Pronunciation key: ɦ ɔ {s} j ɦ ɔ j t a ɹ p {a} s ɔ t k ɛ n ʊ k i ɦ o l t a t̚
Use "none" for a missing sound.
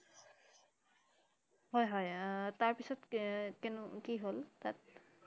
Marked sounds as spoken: none, i

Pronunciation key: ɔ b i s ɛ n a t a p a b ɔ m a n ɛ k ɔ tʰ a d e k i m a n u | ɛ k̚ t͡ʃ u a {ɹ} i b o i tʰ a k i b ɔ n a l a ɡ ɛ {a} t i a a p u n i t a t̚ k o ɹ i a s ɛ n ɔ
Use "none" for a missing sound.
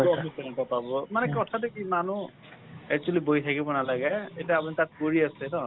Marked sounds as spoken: l, e

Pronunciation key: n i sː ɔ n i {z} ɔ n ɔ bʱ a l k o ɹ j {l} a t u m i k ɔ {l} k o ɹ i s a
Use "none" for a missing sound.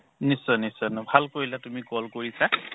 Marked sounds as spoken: s, l, l

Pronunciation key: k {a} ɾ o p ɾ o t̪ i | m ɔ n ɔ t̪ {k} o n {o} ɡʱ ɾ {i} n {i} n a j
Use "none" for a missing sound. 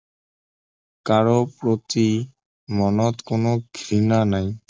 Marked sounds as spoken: a, k, o, i, a

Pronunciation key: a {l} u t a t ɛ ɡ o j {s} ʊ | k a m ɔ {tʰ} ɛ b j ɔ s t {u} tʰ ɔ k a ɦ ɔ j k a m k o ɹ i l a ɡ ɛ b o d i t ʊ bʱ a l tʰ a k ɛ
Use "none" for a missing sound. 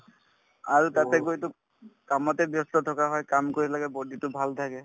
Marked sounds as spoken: ɹ, t, t, ɔ

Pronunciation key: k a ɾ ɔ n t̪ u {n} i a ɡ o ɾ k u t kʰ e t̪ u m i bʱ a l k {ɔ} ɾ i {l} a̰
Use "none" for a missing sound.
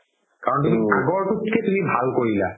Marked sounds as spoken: m, o, l

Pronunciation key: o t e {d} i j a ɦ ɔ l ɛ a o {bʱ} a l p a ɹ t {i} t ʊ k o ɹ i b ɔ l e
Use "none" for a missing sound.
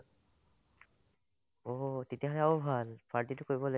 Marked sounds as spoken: t, bʱ, i

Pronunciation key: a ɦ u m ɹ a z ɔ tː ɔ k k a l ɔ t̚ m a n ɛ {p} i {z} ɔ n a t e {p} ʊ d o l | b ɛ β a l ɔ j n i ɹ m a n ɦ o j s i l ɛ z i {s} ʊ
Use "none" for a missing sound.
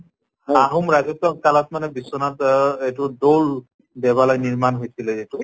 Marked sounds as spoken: b, s, t, t

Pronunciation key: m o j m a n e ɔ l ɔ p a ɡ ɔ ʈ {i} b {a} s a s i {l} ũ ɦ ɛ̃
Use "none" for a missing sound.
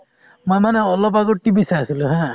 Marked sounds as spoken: i, i, l

